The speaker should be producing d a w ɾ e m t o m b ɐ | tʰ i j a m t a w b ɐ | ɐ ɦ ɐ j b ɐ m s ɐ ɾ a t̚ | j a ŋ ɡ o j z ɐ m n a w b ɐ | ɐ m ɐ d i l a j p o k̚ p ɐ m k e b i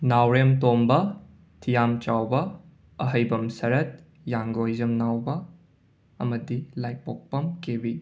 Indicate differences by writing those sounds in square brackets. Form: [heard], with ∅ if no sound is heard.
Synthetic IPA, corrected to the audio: [n] a w ɾ e m t o m b ɐ | tʰ i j a m [t͡ʃ] a w b ɐ | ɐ ɦ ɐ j b ɐ m s ɐ ɾ [ɐ] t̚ | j a ŋ ɡ o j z ɐ m n a w b ɐ | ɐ m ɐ d i l a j p o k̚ p ɐ m k e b i

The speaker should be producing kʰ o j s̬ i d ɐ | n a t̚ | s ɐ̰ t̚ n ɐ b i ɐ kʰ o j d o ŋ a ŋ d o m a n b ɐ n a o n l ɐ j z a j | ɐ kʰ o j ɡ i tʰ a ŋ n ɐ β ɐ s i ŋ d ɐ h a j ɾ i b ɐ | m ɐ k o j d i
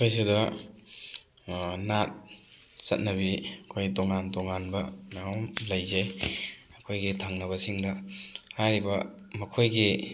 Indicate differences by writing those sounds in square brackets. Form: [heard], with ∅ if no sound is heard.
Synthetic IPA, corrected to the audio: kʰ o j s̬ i d ɐ | n a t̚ | s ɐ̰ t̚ n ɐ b i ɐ kʰ o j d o ŋ a [n] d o [ŋ] a n b ɐ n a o [m] l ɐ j z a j | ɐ kʰ o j ɡ i tʰ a ŋ n ɐ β ɐ s i ŋ d ɐ h a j ɾ i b ɐ | m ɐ [kʰ] o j [ɡ] i

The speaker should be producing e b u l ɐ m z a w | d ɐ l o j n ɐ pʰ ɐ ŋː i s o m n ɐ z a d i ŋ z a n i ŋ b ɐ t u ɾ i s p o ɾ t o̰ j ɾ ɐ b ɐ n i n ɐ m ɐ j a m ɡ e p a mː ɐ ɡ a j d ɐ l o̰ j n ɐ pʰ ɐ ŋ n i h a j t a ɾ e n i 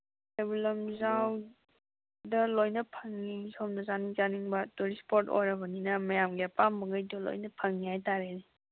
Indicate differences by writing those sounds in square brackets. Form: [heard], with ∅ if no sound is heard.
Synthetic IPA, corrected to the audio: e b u l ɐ m z a w | d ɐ l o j n ɐ pʰ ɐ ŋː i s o m n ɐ z a [n] i ŋ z a n i ŋ b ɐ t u ɾ i s p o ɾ t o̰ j ɾ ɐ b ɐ n i n ɐ m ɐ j a m ɡ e p a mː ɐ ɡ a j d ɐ l o̰ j n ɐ pʰ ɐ ŋ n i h a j t a ɾ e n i

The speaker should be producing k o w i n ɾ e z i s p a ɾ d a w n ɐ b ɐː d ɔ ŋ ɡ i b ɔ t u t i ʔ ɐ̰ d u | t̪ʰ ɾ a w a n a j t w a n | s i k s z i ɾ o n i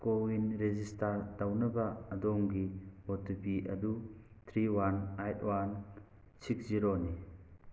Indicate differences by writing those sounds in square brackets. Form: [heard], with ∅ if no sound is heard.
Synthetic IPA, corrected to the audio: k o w i n ɾ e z i s [t] a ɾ d a w n ɐ b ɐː d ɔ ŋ ɡ i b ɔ t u [p] i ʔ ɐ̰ d u | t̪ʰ ɾ [i] w a n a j t w a n | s i k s z i ɾ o n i

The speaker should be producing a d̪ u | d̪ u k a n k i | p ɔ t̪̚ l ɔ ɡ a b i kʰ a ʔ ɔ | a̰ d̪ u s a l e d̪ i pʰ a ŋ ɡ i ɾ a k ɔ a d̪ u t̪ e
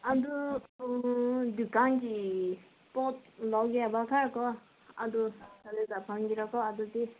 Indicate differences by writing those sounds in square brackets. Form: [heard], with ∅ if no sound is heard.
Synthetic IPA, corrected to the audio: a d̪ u | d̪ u k a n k i | p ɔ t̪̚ l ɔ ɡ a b [a] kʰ a [k] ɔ | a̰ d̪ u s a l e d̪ [a] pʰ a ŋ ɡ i ɾ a k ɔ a d̪ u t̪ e

